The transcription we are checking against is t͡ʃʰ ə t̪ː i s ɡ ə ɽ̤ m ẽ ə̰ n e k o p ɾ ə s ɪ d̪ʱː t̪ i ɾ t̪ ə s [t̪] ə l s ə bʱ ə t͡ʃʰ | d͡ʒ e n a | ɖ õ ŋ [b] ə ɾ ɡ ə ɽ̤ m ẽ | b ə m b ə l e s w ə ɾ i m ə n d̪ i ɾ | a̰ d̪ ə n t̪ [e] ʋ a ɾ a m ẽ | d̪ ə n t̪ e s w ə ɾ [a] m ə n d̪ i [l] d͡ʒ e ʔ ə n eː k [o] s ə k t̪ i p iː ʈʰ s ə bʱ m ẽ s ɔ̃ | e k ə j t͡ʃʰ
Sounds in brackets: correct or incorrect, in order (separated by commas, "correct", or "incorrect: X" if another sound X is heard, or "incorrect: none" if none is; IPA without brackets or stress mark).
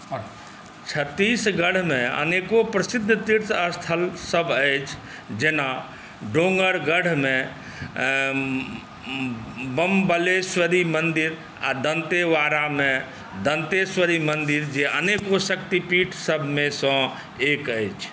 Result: incorrect: t̪ʰ, incorrect: ɡ, correct, incorrect: i, incorrect: ɾ, correct